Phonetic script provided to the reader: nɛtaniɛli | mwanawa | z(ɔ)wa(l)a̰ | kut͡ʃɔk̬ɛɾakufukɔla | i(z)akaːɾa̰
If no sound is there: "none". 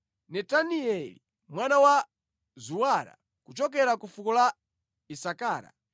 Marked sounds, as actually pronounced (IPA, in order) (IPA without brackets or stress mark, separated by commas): u, ɾ, s